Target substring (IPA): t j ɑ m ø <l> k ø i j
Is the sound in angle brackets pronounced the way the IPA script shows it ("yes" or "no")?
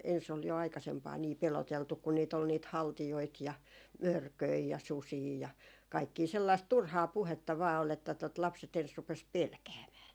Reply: no